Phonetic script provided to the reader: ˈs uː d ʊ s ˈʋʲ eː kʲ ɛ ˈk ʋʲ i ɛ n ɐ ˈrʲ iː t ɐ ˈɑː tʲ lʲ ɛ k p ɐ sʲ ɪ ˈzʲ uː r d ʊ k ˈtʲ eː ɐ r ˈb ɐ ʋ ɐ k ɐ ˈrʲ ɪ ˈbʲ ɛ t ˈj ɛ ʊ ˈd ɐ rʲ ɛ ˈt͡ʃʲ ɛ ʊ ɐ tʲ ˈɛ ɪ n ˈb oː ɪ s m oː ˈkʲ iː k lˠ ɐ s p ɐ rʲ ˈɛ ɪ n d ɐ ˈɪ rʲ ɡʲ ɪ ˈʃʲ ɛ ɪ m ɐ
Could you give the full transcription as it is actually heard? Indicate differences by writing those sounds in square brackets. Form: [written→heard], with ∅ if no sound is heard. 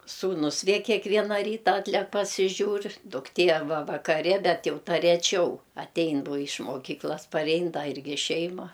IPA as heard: ˈs uː [d→n] ʊ s ˈʋʲ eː kʲ ɛ ˈk ʋʲ i ɛ n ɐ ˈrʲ iː t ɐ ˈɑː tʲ lʲ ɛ k p ɐ sʲ ɪ [ˈzʲ→ˈʒʲ] uː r d ʊ k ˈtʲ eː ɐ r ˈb ɐ ʋ ɐ k ɐ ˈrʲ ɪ ˈbʲ ɛ t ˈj ɛ ʊ [ˈd→ˈt] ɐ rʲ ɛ ˈt͡ʃʲ ɛ ʊ ɐ tʲ ˈɛ ɪ n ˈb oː ɪ [s→ʃ] m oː ˈkʲ iː k lˠ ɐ s p ɐ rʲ ˈɛ ɪ n d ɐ ˈɪ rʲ ɡʲ ɪ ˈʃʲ ɛ ɪ m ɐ